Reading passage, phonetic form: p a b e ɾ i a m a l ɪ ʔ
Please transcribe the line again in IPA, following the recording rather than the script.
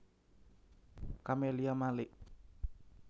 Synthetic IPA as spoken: k a m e l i a m a l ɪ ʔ